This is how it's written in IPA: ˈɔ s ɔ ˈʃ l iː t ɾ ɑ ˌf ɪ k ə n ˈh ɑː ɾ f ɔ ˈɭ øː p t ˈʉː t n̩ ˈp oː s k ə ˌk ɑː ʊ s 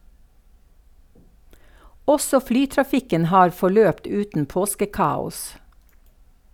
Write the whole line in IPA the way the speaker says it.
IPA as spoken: ˈɔ s ɔ ˈf l yː t ɾ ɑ ˌf ɪ k ə n ˈh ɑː ɾ f ɔ ˈɭ øː p t ˈʉː t n̩ ˈp oː s k ə ˌk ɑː ʊ s